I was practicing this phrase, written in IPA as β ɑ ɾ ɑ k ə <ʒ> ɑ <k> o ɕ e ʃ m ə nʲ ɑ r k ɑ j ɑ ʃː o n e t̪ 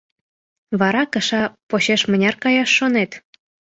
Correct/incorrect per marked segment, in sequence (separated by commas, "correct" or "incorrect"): incorrect, incorrect